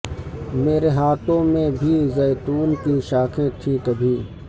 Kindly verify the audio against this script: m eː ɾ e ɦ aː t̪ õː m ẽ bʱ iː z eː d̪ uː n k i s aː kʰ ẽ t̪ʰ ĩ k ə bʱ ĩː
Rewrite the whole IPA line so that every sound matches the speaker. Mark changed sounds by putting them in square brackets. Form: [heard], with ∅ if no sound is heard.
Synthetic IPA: m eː ɾ e ɦ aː t̪ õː m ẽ bʱ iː z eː [t̪] uː n k i [ʃ] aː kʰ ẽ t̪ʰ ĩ k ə bʱ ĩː